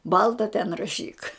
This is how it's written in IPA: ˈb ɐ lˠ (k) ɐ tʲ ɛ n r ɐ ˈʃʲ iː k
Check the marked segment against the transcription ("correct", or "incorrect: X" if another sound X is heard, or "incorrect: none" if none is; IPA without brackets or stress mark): incorrect: t